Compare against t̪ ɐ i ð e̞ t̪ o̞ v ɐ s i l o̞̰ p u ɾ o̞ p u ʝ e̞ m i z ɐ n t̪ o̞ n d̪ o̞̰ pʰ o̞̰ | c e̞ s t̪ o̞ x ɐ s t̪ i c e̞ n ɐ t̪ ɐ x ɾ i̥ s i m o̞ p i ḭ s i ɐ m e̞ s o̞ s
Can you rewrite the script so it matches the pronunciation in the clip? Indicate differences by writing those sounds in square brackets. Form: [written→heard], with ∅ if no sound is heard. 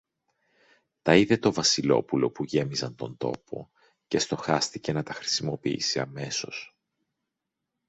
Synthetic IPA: t̪ ɐ i ð e̞ t̪ o̞ v ɐ s i l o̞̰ p u [ɾ→l] o̞ p u ʝ e̞ m i z ɐ n t̪ o̞ n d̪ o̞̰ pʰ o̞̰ | c e̞ s t̪ o̞ x ɐ s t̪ i c e̞ n ɐ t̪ ɐ x ɾ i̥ s i m o̞ p i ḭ s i ɐ m e̞ s o̞ s